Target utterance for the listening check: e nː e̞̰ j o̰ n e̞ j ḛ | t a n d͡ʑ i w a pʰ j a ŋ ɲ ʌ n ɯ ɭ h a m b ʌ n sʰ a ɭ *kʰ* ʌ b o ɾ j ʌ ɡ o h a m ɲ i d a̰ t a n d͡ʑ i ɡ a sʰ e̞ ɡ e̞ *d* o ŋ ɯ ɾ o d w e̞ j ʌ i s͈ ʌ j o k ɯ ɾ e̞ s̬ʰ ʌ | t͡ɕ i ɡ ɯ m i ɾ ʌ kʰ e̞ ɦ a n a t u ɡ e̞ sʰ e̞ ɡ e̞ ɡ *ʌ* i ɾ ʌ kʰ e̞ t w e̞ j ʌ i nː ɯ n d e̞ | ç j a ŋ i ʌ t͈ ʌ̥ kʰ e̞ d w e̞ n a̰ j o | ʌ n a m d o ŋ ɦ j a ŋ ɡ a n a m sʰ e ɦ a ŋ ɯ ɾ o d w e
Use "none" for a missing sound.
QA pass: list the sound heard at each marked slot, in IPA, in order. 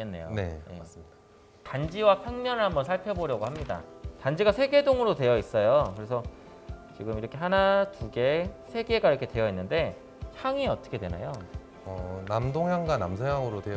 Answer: pʰ, d, a

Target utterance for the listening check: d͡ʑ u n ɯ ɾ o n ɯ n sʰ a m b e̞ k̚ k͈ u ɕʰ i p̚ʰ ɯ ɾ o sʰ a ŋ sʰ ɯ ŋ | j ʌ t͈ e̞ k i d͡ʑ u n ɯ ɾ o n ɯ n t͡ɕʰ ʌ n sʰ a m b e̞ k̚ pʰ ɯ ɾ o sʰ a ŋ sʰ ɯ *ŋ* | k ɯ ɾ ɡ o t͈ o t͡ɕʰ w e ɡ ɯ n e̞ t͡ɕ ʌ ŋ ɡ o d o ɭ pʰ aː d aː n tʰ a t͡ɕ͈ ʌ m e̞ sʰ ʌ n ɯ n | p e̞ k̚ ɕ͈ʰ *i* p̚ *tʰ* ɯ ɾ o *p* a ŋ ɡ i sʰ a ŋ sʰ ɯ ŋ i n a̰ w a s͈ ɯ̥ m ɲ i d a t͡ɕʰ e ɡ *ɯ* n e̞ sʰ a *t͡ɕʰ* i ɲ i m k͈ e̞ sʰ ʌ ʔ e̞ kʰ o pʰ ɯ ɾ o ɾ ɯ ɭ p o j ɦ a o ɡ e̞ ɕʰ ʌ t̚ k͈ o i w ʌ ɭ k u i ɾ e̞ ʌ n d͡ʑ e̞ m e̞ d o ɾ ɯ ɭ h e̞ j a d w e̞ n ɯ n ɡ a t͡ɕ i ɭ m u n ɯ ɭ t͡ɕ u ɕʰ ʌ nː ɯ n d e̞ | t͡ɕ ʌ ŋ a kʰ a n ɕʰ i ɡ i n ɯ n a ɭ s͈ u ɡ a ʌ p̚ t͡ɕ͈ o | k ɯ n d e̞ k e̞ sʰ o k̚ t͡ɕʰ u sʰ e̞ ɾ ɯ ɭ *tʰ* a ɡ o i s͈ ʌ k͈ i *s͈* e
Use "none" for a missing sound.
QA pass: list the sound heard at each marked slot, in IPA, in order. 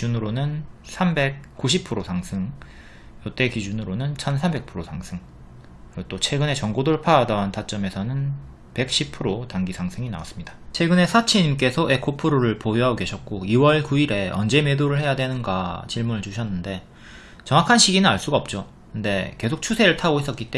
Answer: ŋ, i, pʰ, t, ɯ, t͡ɕʰ, tʰ, t͈

